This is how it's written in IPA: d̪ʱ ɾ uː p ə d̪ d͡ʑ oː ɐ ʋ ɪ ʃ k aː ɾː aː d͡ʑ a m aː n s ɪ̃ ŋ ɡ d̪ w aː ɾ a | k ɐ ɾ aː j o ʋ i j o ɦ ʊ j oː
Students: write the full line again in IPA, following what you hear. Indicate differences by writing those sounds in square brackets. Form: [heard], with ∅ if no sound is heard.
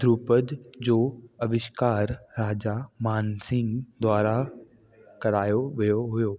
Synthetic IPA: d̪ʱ ɾ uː p ə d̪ d͡ʑ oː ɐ ʋ ɪ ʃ k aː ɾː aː d͡ʑ a m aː n s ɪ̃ ŋ ɡ d̪ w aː ɾ a | k ɐ ɾ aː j o ʋ i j o ɦ ʊ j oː